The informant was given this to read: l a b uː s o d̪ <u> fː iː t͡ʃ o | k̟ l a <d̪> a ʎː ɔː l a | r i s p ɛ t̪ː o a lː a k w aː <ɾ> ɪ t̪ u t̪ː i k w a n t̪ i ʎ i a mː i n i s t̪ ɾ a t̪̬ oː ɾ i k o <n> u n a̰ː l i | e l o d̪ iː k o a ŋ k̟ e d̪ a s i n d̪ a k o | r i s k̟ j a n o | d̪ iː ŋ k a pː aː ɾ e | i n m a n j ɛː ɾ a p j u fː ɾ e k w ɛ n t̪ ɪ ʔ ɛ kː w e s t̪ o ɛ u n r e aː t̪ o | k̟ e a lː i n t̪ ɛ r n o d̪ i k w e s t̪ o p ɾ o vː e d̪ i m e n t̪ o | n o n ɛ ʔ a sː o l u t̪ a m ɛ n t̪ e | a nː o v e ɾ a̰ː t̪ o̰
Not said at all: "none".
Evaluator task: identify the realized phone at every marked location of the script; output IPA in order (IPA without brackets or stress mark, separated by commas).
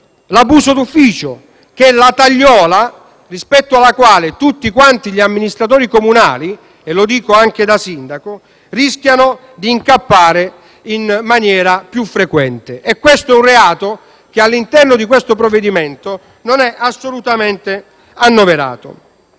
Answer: u, t̪, l, m